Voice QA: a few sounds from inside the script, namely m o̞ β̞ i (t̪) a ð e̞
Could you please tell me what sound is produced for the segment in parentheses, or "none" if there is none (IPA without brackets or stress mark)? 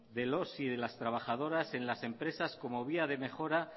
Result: none